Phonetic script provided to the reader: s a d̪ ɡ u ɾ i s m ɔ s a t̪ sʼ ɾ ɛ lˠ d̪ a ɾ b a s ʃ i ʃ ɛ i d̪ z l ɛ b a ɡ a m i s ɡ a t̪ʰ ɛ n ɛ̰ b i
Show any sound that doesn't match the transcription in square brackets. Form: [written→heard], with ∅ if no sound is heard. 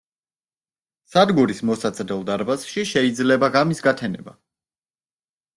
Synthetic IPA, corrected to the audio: s a d̪ ɡ u ɾ i s m ɔ s a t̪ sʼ ɾ ɛ lˠ d̪ a ɾ b a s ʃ i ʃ ɛ i d̪ z l ɛ b a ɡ a m i s ɡ a t̪ʰ ɛ n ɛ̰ b [i→a]